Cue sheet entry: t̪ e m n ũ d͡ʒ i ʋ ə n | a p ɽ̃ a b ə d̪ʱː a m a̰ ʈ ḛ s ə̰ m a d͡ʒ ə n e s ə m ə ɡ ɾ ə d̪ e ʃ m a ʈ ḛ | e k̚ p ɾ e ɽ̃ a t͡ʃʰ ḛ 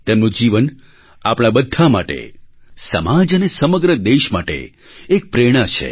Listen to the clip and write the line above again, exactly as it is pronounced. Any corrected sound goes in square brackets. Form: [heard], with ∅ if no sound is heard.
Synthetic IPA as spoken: t̪ e m n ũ d͡ʒ i ʋ ə n | a p ɽ̃ a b ə d̪ʱː a m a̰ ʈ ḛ s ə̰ m a d͡ʒ ə n e s ə m ə ɡ ɾ ə d̪ e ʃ m a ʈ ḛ | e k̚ p ɾ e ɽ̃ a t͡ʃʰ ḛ